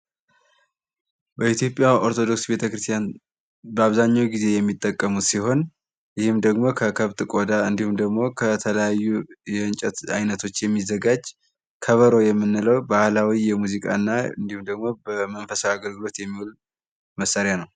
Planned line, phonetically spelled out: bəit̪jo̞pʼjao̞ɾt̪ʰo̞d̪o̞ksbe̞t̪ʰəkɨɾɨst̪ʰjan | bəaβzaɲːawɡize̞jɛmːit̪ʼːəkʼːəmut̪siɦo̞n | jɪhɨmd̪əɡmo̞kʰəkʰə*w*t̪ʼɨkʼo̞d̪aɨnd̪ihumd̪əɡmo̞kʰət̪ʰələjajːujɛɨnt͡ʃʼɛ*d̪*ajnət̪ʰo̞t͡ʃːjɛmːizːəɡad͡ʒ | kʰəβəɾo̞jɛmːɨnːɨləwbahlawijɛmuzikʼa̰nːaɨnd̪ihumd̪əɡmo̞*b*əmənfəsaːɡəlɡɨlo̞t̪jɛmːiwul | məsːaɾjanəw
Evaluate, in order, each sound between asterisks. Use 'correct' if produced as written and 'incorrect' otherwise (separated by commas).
incorrect, incorrect, correct